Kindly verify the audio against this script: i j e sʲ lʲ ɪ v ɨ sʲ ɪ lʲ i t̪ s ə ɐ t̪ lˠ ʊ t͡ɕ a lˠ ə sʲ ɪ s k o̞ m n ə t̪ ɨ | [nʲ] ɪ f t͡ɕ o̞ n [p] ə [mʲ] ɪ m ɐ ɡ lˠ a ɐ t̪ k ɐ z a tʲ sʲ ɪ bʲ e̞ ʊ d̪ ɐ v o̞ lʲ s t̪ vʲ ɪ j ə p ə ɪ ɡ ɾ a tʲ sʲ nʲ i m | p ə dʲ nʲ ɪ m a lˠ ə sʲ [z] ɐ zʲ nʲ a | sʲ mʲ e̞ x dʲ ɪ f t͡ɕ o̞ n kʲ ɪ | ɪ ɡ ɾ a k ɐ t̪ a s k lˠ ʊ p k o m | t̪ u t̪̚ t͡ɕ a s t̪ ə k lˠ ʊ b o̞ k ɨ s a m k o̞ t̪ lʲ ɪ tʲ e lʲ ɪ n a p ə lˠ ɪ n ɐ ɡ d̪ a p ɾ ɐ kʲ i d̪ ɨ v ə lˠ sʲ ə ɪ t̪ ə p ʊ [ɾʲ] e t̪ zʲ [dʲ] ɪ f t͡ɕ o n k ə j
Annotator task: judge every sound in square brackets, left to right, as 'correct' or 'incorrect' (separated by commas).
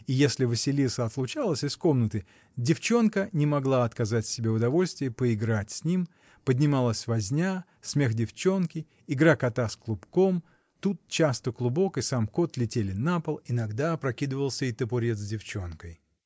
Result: incorrect, incorrect, incorrect, incorrect, correct, correct